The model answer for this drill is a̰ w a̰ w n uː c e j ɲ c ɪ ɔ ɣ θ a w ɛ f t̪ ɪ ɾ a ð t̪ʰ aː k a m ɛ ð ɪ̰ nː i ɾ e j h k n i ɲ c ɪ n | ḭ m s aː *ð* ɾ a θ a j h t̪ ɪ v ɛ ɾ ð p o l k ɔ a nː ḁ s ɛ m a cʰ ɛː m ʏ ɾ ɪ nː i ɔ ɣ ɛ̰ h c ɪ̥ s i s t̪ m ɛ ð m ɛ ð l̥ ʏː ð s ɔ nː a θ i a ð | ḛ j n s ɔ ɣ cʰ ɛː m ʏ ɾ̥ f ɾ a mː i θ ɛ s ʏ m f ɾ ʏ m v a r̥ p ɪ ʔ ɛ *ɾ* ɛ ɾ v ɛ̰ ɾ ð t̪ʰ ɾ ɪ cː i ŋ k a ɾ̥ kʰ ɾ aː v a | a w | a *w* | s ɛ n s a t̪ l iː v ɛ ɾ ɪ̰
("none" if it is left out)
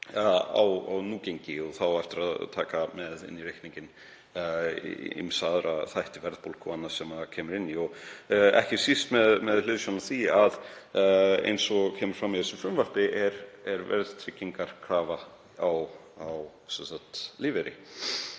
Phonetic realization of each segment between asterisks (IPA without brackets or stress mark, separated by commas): ð, ɾ, w